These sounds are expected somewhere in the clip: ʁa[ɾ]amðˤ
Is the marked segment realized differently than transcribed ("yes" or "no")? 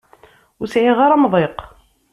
no